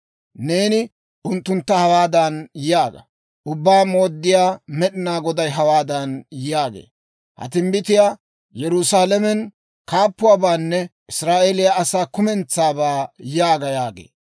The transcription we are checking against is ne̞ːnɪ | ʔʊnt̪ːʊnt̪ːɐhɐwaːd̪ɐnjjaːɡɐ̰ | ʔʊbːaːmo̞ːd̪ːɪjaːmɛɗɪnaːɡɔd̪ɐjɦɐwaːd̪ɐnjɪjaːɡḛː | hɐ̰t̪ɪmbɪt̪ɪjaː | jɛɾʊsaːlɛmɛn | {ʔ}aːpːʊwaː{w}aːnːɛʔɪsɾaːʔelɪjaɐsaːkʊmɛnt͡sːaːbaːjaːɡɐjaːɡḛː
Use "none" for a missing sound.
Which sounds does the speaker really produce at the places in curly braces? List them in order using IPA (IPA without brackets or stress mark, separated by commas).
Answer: k, b